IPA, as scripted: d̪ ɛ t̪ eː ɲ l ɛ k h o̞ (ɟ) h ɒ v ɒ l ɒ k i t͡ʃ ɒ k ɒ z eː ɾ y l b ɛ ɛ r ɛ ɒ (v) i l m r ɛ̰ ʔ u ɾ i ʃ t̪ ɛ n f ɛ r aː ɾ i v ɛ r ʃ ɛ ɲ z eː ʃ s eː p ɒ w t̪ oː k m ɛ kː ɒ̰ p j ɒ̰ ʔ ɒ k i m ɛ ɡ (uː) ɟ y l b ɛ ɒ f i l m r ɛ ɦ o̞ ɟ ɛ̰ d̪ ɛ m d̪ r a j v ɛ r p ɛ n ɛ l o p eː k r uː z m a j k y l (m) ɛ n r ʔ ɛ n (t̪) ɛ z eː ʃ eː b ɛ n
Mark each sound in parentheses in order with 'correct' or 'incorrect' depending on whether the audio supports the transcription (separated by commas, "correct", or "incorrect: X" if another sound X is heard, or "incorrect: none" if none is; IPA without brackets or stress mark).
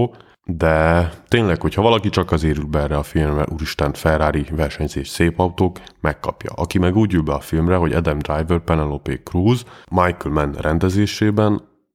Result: incorrect: c, incorrect: f, correct, correct, incorrect: d̪